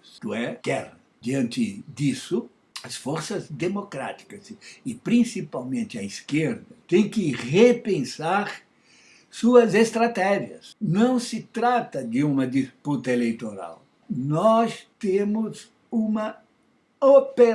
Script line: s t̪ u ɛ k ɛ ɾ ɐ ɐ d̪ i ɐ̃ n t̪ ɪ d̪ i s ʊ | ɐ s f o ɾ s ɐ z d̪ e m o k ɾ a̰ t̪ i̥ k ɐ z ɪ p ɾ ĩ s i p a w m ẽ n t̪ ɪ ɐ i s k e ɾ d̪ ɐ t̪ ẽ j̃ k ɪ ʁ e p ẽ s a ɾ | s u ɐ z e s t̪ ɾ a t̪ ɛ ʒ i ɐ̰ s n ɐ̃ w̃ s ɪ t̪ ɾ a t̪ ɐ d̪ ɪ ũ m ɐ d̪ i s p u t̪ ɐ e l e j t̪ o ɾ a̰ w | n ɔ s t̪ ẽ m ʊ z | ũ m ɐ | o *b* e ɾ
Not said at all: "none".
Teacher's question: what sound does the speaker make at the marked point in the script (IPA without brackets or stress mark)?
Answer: p